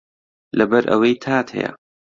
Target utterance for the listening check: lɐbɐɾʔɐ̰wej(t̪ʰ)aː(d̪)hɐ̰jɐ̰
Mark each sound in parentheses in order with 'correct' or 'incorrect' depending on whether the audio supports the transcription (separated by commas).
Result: correct, incorrect